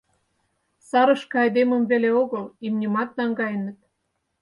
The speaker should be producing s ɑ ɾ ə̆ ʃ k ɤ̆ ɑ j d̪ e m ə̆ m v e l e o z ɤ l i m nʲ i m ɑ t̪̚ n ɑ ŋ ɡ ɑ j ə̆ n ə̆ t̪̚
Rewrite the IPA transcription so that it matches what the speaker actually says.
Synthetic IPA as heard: s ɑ ɾ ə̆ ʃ k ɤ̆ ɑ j d̪ e m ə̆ m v e l e o ɣ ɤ l i m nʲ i m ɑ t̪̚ n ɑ ŋ ɡ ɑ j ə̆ n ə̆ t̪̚